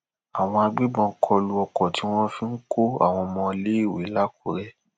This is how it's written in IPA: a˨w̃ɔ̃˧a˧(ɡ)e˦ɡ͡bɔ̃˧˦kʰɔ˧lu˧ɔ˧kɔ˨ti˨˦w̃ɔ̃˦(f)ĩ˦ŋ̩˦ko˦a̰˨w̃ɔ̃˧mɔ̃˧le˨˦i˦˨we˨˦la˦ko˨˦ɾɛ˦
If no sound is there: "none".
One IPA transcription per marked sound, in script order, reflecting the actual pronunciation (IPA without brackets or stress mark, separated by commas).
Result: ɡ͡b, f